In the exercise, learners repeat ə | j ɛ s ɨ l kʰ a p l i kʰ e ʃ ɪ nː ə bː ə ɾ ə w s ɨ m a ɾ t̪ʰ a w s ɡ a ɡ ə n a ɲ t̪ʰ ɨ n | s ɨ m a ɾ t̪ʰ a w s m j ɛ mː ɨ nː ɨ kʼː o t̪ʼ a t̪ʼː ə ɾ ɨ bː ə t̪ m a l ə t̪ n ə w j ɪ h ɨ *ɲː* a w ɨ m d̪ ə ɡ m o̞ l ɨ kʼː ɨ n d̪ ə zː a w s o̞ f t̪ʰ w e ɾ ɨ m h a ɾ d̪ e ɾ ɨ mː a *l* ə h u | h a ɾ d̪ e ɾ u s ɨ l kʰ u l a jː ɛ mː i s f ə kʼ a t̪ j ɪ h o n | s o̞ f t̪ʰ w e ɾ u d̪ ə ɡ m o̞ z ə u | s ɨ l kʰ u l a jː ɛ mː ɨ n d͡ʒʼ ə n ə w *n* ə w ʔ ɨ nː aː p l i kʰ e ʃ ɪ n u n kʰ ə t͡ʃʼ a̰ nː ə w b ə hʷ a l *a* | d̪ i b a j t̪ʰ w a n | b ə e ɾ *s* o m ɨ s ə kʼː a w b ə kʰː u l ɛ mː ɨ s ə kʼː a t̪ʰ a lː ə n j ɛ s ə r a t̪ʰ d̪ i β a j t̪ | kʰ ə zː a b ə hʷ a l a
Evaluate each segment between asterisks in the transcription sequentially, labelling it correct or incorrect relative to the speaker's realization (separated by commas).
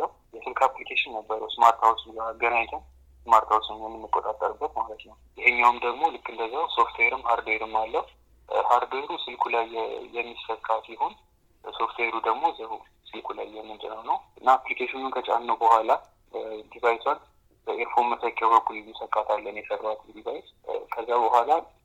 correct, incorrect, correct, correct, incorrect